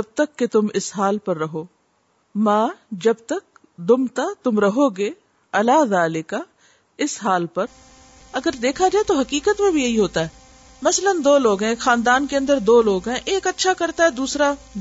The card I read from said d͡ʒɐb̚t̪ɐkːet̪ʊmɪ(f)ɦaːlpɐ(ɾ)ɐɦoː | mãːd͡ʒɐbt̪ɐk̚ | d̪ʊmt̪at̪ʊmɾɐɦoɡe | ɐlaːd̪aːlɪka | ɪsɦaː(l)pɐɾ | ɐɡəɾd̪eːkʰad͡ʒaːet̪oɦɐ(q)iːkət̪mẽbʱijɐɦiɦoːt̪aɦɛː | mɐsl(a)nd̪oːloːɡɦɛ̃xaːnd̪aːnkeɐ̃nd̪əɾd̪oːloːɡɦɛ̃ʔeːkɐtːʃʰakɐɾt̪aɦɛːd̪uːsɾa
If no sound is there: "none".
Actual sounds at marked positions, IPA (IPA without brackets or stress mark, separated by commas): s, ɾː, l, k, ə